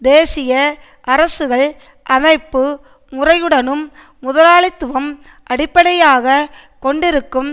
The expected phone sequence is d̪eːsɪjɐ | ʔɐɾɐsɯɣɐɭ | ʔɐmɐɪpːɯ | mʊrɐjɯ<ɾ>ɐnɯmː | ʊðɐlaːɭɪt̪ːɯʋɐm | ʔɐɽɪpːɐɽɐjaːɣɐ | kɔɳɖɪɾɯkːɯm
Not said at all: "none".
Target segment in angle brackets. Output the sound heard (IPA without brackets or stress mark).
ɽ